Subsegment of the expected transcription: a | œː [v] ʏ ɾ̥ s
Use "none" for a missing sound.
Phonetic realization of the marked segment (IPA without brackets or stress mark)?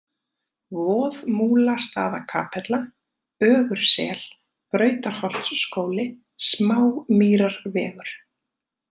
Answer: ɣ